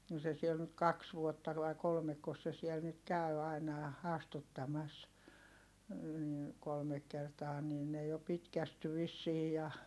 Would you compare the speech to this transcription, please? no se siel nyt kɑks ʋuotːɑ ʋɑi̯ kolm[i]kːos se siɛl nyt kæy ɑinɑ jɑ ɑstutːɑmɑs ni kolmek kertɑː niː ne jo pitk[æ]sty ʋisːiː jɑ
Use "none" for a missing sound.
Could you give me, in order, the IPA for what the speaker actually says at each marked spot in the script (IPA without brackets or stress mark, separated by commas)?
e, æ